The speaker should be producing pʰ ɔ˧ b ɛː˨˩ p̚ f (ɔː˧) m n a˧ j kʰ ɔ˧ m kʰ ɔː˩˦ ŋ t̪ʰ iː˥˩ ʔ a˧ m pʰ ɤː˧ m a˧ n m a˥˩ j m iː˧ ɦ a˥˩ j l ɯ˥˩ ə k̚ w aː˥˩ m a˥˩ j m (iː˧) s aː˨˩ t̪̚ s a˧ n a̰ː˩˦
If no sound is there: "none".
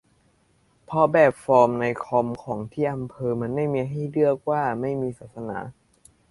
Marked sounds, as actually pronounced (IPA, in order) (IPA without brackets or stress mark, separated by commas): ɔː˧, iː˧